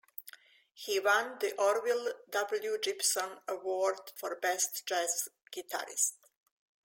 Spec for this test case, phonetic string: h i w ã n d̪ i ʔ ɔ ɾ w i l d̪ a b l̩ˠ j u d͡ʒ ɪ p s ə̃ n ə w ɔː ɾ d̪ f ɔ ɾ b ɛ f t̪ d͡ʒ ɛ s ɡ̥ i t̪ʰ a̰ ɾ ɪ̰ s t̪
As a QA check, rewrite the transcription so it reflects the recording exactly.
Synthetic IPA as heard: h i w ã n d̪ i ʔ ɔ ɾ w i l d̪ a b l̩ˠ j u d͡ʒ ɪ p s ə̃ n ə w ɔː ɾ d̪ f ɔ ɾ b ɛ s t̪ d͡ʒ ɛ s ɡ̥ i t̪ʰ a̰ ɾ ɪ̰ s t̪